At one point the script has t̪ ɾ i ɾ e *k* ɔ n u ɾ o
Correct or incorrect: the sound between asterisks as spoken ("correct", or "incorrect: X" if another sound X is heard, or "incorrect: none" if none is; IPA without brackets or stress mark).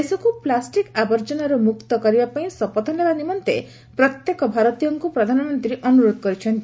incorrect: ʔ